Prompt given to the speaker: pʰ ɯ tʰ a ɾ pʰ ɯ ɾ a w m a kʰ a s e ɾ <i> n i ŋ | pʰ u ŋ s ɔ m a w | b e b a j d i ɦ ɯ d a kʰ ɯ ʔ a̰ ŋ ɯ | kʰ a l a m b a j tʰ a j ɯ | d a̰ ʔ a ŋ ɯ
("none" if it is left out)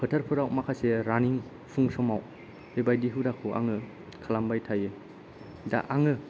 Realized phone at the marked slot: a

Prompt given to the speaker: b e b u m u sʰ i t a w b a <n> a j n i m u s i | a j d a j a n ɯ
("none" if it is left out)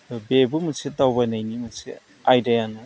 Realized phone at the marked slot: n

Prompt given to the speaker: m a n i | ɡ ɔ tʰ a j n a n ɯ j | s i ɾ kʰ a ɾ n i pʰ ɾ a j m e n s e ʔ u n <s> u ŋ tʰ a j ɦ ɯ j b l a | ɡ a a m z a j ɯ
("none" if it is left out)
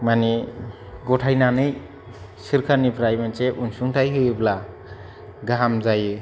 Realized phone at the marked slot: s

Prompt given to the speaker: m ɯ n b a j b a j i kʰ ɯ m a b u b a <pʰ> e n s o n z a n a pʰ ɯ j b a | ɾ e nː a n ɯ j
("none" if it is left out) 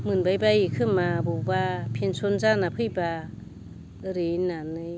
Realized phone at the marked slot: pʰ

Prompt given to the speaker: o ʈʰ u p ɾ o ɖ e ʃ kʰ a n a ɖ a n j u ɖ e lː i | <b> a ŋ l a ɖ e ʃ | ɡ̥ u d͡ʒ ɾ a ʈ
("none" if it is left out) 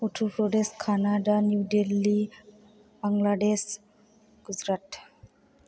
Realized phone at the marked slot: b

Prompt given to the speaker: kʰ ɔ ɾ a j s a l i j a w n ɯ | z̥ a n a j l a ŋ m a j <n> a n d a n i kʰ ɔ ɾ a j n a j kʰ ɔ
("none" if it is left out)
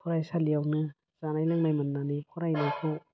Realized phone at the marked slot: m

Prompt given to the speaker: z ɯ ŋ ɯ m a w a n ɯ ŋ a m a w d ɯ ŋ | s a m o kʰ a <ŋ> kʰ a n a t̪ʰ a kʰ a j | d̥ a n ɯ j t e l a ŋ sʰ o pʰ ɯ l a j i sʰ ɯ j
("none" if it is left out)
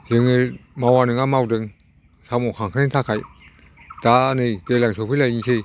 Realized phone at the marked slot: ŋ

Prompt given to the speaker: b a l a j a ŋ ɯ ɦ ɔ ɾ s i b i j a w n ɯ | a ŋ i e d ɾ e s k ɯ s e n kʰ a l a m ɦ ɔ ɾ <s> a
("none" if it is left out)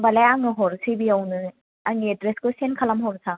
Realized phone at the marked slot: s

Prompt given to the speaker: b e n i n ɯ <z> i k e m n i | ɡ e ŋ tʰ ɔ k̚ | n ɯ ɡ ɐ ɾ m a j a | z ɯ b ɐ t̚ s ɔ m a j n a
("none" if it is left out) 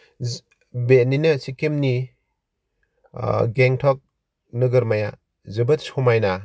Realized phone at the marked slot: s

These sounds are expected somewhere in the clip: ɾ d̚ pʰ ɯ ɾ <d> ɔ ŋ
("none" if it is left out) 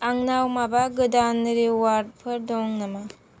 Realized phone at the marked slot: d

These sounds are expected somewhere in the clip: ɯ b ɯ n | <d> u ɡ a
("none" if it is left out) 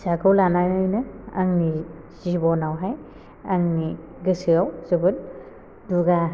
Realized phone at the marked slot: d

